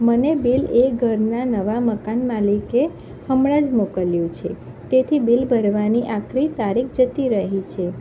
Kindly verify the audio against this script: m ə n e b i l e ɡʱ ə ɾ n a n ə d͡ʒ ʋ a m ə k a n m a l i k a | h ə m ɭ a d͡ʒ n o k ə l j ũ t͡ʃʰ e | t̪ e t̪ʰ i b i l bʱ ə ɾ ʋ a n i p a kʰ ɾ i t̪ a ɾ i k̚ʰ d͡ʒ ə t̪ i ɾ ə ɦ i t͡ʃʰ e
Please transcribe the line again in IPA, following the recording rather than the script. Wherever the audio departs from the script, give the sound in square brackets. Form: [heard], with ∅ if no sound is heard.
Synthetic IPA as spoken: m ə n e b i l e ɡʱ ə ɾ n a n ə [∅] ʋ a m ə k a n m a l i k [e] | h ə m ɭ a d͡ʒ [m] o k ə l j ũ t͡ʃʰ e | t̪ e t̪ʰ i b i l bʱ ə ɾ ʋ a n i [ʔ] a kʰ ɾ i t̪ a ɾ i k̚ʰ d͡ʒ ə t̪ i ɾ ə ɦ i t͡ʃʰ e